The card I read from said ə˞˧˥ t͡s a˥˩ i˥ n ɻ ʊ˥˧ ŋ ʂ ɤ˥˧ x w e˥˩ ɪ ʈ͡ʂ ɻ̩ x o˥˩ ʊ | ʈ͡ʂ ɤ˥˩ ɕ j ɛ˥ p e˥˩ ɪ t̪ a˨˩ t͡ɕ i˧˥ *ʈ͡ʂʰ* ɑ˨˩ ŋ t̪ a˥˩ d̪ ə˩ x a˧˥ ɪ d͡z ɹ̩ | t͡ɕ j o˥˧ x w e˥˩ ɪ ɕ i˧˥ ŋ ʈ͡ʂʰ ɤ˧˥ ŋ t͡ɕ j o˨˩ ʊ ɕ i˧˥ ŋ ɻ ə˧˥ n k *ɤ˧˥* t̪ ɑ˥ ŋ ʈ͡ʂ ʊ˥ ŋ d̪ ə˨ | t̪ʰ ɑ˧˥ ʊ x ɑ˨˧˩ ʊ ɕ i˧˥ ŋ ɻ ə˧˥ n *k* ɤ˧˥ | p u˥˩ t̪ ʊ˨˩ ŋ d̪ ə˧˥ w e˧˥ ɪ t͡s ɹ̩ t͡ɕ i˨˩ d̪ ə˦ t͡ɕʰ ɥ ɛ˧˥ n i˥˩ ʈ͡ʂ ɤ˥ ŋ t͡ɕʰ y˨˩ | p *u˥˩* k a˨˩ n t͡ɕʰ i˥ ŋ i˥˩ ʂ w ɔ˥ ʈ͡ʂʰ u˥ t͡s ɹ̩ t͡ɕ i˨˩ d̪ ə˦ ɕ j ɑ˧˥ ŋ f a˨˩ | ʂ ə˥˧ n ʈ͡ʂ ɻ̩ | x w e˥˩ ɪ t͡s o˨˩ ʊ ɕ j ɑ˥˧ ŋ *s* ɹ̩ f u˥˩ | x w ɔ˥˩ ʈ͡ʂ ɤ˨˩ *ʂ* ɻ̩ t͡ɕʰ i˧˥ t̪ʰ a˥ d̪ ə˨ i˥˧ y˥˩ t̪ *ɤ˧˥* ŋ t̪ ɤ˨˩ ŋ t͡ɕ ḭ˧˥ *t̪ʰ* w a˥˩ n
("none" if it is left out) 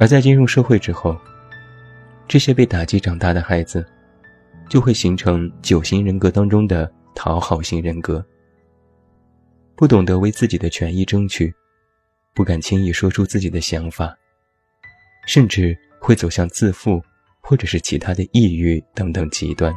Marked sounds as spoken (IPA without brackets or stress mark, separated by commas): ʈ͡ʂ, ɤ˧˥, k, u˥˩, t͡s, ʂ, ɤ˧˥, t̪